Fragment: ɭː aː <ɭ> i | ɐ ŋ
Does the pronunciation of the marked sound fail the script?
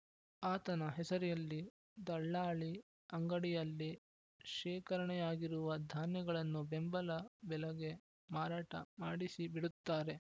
no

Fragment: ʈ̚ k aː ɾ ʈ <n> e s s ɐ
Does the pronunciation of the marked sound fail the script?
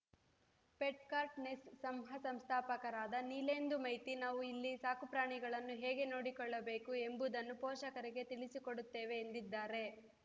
no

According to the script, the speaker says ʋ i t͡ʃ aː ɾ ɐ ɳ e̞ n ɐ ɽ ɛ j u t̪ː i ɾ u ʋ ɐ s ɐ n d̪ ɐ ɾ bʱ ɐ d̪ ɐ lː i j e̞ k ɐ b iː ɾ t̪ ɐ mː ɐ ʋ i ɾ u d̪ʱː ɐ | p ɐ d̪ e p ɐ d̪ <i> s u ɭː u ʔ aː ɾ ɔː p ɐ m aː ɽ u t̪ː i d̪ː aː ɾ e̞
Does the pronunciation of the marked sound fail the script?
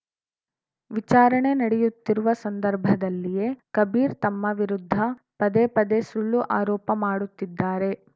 yes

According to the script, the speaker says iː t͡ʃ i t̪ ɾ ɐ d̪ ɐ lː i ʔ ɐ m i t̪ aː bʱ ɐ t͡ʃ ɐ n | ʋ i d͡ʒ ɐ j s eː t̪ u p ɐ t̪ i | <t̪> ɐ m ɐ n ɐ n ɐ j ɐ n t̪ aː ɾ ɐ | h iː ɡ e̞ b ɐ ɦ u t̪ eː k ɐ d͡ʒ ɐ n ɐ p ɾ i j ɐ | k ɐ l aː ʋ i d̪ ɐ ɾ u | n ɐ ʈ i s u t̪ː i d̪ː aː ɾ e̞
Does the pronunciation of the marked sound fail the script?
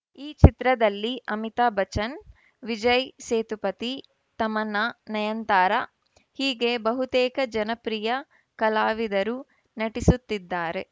no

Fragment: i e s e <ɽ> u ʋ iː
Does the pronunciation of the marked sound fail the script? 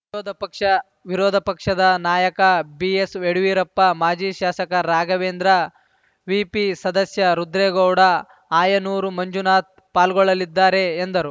no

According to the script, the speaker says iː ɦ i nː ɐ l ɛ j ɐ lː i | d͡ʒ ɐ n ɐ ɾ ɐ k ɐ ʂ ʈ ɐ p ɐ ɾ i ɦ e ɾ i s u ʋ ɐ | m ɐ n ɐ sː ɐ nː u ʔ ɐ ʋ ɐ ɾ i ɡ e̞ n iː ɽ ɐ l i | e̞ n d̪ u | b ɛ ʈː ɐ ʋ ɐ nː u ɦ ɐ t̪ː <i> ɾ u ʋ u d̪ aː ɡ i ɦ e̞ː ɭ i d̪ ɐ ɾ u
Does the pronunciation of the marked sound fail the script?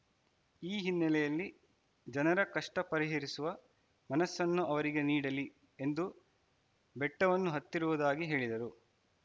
no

